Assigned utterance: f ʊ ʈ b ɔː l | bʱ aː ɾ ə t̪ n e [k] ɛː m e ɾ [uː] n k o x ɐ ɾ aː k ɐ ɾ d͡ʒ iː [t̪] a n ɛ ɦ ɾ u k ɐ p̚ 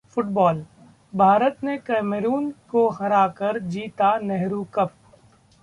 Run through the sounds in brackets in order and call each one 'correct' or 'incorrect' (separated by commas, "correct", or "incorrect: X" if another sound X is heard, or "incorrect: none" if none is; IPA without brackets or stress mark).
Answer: correct, correct, correct